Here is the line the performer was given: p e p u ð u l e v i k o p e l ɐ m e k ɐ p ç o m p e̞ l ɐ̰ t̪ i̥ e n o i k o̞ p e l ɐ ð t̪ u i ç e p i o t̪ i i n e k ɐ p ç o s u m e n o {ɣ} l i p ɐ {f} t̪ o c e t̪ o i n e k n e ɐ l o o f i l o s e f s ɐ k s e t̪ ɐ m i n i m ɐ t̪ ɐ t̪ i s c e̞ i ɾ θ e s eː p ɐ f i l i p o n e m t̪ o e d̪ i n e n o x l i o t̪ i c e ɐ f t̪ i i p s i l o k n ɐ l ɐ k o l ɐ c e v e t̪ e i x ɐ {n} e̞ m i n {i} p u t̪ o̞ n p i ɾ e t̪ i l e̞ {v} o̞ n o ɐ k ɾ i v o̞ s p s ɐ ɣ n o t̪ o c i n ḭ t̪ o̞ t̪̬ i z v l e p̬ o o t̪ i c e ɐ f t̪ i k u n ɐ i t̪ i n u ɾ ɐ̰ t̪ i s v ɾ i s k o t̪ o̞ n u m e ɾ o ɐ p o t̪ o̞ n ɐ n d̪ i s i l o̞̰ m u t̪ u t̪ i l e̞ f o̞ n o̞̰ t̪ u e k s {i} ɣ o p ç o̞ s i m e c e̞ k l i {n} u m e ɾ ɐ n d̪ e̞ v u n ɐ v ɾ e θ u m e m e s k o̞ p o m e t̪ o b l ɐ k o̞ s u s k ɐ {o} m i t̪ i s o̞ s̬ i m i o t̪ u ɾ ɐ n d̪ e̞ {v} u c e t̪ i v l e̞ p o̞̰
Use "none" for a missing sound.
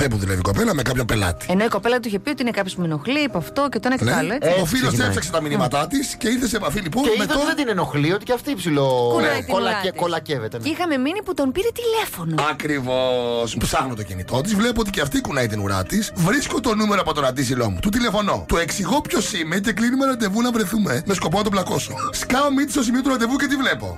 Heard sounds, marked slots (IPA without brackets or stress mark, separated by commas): x, f, m, i, f, i, n, o, v